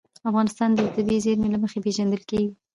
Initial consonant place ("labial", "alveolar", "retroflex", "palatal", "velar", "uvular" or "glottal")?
labial